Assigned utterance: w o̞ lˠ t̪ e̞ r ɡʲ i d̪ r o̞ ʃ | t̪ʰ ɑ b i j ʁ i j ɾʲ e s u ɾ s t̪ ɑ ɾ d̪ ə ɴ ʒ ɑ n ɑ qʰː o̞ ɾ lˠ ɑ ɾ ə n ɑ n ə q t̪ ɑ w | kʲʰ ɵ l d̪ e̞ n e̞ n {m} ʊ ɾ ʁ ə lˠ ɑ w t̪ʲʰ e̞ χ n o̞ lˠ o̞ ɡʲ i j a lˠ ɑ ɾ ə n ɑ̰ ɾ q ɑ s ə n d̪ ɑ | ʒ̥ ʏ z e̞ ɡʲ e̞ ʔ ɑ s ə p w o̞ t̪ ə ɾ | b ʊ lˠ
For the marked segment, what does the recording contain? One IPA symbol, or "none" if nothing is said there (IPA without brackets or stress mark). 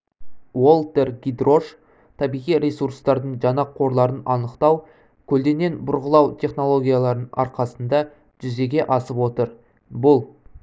b